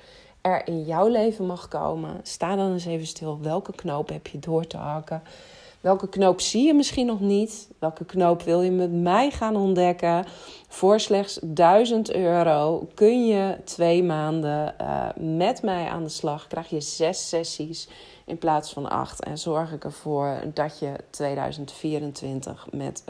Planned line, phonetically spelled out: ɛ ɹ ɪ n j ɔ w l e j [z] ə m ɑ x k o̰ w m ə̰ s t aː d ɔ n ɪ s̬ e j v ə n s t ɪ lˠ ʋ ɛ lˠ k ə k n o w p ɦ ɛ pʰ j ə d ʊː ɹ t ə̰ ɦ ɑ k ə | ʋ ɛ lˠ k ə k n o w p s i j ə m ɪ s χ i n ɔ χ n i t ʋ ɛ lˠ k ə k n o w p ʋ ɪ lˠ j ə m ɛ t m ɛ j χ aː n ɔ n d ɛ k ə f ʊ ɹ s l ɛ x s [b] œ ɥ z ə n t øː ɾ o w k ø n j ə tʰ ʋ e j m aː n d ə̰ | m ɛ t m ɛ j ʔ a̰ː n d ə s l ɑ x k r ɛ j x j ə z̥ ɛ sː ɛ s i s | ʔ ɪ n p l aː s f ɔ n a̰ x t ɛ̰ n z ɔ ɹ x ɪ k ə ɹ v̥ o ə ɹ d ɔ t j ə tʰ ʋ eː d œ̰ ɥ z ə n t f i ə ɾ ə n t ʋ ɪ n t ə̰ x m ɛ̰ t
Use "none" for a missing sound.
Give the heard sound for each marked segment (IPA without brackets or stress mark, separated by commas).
v, d